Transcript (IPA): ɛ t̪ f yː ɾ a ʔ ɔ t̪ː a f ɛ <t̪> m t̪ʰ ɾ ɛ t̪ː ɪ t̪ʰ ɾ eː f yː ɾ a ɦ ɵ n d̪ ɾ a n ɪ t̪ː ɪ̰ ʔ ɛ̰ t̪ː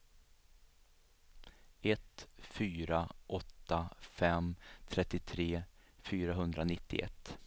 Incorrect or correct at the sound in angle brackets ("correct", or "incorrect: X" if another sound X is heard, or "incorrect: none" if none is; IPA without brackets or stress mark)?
incorrect: none